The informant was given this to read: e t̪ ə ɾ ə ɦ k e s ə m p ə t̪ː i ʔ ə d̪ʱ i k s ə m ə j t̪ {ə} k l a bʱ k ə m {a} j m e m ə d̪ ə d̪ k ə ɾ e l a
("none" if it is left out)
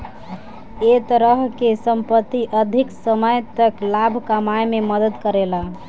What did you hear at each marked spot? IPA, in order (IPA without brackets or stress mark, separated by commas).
ə, a